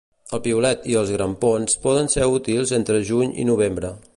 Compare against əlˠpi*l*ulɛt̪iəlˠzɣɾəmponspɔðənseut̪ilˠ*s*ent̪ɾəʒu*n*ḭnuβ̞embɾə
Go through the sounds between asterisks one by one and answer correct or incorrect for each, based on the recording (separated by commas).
incorrect, incorrect, incorrect